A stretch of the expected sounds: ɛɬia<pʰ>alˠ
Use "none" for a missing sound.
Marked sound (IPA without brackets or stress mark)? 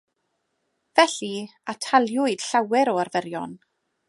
tʰ